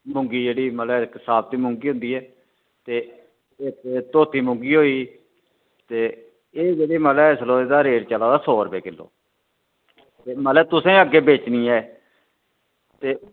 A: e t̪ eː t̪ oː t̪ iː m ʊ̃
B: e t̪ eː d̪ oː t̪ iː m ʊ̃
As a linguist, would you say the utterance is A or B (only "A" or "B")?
A